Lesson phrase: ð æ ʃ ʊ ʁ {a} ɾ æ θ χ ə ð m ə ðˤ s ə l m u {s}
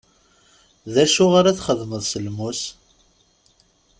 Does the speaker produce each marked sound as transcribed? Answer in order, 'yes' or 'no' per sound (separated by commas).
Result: yes, yes